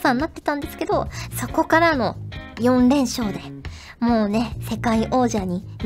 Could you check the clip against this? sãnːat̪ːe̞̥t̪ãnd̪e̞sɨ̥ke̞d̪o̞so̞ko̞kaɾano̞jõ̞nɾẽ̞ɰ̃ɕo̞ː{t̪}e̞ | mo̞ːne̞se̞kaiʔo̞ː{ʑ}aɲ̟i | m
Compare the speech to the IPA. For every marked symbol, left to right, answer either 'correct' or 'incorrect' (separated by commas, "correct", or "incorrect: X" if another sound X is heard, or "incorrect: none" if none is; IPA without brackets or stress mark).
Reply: incorrect: d̪, correct